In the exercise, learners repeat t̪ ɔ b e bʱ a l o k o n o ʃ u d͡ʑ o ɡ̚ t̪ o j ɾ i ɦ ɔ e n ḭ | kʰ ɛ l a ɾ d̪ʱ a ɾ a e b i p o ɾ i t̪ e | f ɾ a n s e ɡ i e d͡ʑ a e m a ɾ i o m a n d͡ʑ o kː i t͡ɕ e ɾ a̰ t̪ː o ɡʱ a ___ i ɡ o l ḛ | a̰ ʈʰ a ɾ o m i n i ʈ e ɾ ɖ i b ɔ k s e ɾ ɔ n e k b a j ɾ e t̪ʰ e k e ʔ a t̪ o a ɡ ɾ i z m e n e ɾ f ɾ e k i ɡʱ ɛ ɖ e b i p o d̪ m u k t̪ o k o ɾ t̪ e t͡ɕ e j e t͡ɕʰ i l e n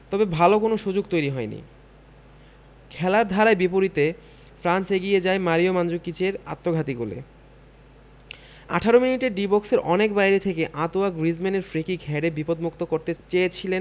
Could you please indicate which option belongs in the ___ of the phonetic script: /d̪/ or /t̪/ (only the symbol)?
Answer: t̪